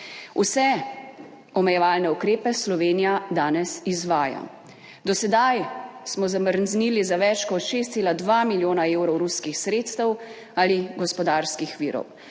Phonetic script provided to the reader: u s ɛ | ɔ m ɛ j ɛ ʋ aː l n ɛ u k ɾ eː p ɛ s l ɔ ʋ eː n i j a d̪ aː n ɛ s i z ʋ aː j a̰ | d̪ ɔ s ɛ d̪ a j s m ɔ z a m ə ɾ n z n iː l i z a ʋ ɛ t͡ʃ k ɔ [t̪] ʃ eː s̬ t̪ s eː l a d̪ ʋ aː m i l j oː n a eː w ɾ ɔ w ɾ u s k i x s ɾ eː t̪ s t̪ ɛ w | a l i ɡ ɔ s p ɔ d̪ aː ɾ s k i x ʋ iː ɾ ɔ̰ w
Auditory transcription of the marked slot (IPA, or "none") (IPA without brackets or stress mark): t̪